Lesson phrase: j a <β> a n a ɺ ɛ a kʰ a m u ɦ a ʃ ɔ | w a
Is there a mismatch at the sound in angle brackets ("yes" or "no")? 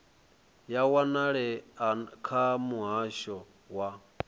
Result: yes